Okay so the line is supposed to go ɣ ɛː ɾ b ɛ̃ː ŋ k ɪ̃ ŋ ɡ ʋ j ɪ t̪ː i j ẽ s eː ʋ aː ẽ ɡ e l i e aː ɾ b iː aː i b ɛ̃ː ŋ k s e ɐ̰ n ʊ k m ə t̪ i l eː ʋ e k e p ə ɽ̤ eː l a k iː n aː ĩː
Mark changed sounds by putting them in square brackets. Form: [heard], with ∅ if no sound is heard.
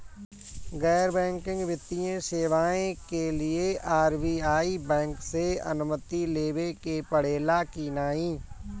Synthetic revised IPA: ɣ ɛː ɾ b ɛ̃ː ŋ k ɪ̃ ŋ ɡ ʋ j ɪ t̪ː i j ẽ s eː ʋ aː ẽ [k] e l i e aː ɾ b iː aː i b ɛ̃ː ŋ k s e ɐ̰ n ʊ [∅] m ə t̪ i l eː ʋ e k e p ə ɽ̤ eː l a k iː n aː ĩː